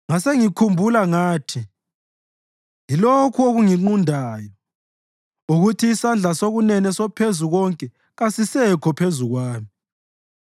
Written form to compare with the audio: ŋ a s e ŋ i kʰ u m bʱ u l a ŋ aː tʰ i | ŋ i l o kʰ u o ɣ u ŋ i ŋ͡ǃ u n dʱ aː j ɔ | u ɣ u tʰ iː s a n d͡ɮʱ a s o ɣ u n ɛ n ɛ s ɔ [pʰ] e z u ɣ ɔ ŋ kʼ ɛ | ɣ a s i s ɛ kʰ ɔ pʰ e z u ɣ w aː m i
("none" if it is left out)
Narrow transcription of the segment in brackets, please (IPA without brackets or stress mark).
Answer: pʰ